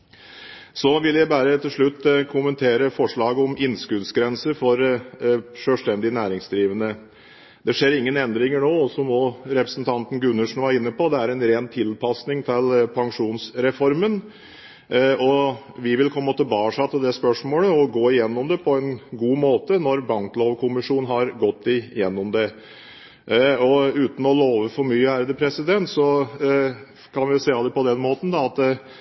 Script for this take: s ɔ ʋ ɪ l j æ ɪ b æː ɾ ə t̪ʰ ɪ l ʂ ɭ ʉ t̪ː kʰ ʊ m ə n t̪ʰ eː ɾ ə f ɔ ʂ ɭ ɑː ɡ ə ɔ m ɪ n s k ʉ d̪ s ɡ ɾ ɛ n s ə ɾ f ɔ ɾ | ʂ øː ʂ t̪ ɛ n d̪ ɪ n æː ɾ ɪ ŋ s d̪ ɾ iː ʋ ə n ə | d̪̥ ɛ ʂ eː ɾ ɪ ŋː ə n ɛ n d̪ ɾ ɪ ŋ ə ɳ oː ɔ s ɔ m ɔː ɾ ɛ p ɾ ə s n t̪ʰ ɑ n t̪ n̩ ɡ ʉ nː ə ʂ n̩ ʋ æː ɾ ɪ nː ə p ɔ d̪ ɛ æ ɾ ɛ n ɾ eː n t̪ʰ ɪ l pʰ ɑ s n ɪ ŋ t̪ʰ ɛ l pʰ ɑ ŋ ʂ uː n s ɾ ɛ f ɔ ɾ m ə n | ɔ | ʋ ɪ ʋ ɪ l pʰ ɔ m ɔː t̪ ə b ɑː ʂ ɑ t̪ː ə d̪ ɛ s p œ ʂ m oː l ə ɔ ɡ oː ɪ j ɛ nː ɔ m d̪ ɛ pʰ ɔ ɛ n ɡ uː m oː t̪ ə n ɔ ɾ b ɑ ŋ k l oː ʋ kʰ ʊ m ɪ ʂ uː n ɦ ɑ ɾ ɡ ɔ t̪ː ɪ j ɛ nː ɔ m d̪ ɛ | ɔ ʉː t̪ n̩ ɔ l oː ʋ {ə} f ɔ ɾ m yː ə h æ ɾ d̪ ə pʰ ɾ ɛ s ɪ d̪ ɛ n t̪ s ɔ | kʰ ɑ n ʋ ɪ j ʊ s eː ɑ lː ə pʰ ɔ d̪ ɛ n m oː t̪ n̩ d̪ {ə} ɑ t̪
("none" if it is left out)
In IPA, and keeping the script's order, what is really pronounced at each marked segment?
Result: ə, ɑ

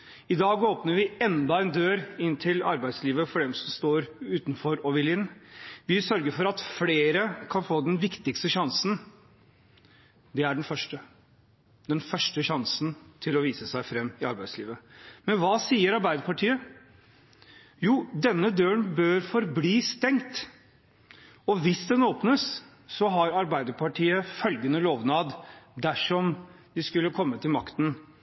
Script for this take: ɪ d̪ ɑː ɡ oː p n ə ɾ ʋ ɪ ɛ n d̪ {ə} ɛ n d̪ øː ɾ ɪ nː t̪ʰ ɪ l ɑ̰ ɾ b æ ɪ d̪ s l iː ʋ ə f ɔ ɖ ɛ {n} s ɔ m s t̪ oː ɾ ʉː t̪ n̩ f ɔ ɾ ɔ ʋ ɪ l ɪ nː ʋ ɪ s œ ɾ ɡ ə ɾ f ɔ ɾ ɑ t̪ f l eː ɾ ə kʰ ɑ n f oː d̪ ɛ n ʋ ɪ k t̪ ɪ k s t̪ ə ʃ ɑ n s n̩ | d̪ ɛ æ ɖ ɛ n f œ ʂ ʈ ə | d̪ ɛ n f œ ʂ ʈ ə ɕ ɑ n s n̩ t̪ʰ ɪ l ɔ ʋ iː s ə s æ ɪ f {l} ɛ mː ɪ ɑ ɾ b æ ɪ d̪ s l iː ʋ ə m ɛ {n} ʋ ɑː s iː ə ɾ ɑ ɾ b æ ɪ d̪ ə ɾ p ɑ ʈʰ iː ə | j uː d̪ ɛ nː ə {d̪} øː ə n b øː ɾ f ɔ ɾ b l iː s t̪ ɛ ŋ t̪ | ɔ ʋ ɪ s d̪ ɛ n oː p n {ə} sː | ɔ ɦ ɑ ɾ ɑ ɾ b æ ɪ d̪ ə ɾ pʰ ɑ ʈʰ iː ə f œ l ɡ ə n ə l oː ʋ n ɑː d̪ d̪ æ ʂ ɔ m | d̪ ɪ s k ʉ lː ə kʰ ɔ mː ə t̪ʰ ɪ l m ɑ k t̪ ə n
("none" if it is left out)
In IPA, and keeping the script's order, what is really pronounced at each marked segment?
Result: ɑ, m, ɾ, n, d̪, ə

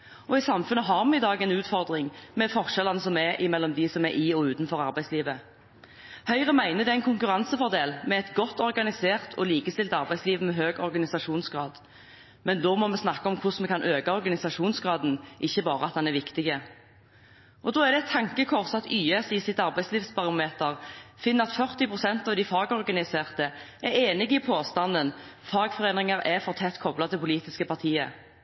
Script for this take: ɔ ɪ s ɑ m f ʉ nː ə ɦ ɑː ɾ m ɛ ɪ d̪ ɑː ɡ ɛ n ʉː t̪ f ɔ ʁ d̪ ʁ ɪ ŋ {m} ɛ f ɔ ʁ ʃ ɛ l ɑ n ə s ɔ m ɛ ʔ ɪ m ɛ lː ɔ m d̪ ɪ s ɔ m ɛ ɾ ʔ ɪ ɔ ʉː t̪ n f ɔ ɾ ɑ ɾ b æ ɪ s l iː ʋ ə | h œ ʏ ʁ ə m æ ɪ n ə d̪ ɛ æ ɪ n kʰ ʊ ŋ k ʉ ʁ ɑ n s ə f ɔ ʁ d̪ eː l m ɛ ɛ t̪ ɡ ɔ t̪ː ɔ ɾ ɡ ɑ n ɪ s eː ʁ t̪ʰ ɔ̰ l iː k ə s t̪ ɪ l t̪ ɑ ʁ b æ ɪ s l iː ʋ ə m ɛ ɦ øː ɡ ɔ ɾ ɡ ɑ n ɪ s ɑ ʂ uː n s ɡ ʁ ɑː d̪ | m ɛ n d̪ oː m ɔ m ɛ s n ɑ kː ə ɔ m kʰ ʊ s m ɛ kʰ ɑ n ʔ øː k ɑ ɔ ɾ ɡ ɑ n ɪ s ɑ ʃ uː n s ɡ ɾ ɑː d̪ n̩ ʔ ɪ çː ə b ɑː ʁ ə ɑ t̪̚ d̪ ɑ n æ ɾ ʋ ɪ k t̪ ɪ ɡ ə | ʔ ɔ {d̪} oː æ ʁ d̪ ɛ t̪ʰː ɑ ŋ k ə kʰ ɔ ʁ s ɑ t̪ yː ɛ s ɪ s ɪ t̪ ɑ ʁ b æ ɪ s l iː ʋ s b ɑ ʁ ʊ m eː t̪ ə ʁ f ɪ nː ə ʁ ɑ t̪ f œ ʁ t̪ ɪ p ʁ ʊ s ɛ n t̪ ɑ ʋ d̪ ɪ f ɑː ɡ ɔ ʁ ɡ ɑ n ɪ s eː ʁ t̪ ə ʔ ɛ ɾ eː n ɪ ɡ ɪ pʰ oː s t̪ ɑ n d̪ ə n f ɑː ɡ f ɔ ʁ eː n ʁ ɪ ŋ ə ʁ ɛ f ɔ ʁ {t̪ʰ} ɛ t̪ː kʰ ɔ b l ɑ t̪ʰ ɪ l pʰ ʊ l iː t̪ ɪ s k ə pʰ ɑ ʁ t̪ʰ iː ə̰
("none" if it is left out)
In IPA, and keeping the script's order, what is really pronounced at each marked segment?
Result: m, d̪, t̪ʰ

